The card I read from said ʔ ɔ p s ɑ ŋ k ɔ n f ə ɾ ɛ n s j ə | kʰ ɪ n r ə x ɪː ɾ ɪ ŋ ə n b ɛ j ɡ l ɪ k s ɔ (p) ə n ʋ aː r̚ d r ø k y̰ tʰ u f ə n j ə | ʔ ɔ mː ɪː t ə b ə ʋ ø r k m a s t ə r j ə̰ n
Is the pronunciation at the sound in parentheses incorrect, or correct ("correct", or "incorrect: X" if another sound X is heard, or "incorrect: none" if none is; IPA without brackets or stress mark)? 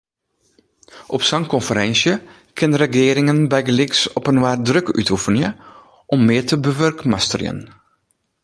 correct